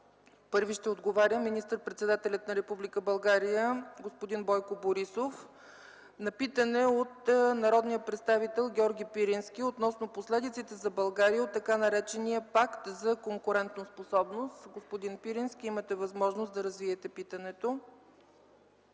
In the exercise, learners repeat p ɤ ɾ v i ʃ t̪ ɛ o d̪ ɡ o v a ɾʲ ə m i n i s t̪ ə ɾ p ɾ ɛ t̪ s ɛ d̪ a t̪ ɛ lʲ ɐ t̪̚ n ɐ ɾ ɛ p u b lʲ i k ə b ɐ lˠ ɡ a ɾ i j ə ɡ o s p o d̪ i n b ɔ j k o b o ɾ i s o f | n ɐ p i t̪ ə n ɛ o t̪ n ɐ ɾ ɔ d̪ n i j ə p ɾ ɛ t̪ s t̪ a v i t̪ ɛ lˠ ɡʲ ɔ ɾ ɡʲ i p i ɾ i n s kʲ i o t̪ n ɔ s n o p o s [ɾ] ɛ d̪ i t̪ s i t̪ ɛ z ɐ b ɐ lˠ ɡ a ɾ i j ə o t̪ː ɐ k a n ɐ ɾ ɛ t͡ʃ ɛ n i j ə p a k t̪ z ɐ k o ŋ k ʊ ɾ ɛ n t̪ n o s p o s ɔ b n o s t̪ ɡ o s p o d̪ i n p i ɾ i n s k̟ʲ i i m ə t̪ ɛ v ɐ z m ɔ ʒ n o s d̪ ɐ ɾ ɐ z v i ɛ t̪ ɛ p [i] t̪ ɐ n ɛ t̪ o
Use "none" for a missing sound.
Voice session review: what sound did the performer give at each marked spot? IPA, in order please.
l, i

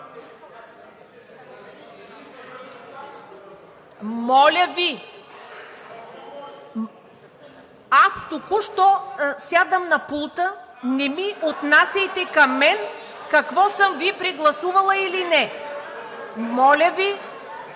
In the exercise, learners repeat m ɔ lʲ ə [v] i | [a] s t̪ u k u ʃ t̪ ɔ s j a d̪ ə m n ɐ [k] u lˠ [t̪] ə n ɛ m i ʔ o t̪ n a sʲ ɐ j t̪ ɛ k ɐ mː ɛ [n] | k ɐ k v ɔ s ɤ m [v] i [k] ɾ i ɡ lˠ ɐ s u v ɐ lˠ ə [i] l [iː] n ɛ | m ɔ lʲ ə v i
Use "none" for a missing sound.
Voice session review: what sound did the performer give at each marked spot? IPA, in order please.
v, a, p, t̪, n, v, p, i, i

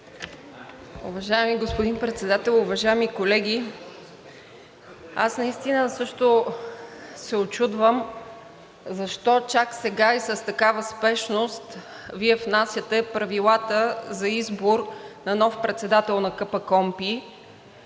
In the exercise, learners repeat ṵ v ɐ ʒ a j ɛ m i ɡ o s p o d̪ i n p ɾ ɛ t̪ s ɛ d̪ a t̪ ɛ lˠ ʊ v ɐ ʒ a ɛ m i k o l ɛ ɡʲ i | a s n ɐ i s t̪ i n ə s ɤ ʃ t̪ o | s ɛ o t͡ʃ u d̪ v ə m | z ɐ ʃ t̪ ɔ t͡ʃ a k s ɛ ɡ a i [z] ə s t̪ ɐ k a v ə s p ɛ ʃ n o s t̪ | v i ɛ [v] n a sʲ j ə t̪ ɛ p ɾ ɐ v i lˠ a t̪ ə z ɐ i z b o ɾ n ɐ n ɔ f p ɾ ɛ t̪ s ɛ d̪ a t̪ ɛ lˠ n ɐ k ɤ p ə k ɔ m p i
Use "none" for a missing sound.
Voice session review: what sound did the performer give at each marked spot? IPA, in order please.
s, f

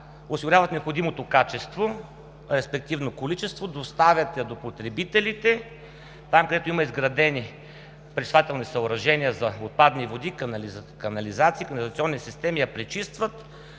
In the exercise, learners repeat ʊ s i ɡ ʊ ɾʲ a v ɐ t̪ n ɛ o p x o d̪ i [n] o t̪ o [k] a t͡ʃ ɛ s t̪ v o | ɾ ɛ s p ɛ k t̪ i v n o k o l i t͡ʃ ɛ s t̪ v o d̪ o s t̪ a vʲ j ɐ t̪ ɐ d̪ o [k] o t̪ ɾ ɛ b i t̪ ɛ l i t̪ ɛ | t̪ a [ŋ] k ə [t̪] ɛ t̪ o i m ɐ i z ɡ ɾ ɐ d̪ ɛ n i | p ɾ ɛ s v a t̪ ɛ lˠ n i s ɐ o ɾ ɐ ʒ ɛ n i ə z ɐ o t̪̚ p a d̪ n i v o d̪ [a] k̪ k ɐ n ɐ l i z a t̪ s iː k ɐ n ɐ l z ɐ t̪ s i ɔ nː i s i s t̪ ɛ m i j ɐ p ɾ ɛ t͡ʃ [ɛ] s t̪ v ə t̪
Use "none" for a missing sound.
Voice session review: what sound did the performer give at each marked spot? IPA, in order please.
m, k, p, m, d̪, i, i

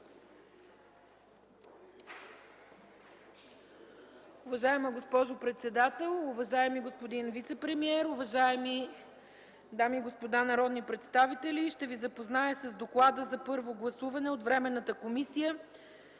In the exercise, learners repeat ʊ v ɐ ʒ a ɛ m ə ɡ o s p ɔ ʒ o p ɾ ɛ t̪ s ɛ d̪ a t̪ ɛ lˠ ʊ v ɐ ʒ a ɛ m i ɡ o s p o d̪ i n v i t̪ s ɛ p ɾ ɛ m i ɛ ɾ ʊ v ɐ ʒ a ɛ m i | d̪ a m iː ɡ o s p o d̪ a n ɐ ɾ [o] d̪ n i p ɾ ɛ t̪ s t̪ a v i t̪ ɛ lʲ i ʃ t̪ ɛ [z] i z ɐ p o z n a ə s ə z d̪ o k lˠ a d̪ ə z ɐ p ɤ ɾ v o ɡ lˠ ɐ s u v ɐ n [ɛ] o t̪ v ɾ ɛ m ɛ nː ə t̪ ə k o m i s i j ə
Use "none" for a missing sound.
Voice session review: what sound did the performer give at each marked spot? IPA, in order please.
ɔ, v, ɛ

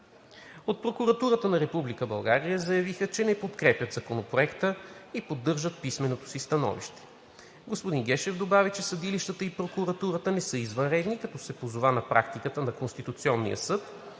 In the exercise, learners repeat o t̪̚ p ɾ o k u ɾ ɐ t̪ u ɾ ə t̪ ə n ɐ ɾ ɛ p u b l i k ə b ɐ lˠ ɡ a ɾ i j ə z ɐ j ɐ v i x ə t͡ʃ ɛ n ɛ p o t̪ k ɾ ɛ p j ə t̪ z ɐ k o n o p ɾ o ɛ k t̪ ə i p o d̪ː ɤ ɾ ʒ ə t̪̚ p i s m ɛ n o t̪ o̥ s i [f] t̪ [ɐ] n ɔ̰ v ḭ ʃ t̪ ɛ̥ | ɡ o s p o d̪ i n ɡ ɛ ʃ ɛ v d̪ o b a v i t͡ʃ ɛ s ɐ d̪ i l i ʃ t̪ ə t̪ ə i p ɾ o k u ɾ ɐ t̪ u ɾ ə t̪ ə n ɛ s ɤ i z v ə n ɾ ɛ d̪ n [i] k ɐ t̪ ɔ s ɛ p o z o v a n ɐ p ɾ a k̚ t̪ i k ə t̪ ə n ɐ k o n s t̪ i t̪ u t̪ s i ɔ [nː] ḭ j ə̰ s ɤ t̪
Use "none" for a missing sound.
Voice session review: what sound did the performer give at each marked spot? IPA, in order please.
s, ɐ, i, nː

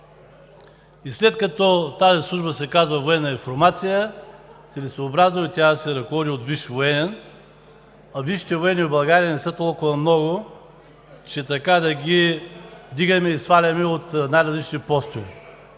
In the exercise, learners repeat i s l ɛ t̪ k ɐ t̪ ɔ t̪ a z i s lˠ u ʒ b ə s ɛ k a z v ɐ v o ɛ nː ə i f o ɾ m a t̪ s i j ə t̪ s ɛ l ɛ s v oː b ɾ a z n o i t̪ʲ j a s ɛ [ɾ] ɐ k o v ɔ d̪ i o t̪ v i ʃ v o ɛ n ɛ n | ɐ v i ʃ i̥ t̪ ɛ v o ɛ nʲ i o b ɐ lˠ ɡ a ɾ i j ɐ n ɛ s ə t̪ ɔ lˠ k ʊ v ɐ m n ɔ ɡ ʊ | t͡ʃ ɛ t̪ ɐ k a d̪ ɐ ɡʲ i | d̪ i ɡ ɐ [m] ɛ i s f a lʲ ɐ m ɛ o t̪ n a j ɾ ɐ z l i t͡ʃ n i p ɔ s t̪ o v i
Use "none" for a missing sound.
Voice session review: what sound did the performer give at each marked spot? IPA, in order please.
ɾ, m

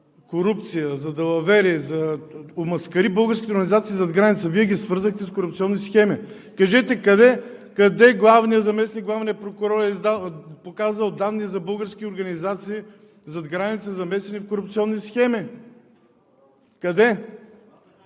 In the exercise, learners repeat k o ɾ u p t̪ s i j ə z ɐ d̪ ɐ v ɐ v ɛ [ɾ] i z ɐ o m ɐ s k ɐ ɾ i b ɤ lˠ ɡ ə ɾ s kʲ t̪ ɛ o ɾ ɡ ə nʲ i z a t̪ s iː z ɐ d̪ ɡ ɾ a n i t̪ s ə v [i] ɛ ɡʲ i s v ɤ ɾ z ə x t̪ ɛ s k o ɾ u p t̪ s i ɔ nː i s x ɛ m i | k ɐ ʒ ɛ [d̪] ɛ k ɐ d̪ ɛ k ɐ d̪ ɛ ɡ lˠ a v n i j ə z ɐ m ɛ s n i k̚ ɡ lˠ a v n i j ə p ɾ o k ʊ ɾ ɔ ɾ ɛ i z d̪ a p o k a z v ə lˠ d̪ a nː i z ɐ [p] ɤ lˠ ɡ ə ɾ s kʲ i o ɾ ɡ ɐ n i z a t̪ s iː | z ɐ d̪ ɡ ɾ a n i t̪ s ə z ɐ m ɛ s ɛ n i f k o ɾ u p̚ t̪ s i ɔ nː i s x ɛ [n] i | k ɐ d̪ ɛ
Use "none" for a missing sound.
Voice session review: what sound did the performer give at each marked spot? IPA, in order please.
ɾ, i, t̪, b, m

